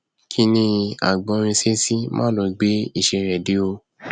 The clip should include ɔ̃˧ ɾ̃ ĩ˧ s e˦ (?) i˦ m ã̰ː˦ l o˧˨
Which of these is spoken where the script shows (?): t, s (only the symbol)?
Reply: s